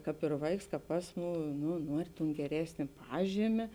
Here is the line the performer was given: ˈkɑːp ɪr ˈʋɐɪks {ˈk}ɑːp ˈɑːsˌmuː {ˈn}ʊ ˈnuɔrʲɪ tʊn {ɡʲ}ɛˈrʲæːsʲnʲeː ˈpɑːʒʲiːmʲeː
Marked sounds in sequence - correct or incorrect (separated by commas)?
correct, correct, correct